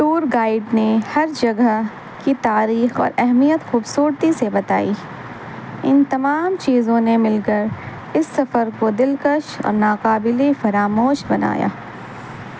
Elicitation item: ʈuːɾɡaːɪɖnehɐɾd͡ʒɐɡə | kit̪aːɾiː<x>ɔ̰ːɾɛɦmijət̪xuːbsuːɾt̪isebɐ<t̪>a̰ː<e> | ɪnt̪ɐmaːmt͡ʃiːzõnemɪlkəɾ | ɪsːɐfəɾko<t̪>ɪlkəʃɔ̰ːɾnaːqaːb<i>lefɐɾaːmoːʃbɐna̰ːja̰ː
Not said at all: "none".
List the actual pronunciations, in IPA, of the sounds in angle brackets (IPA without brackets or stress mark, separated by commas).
x, t̪, i, d̪, ɪ